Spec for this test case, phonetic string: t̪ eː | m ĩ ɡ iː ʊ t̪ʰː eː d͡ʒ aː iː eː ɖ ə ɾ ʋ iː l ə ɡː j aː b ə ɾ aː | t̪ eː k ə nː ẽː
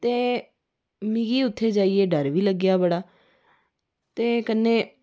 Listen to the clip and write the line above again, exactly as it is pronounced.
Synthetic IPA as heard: t̪ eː | m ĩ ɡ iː ʊ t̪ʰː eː d͡ʒ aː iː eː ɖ ə ɾ ʋ iː l ə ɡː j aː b ə ɽ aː | t̪ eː k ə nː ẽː